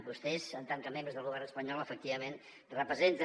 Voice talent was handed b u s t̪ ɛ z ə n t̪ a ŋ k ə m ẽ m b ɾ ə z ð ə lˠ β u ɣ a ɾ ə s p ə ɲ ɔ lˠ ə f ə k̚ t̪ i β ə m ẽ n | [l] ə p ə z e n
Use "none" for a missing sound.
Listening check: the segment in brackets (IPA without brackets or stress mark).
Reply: r